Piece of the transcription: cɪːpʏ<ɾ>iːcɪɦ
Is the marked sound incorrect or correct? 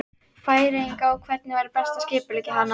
incorrect